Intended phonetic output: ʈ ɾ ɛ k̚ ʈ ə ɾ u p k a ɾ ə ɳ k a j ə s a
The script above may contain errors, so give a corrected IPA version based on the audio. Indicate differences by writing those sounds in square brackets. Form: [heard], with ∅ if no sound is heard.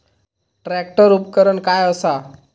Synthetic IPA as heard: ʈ ɾ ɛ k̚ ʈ ə ɾ u p k [ə] ɾ ə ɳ k a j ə s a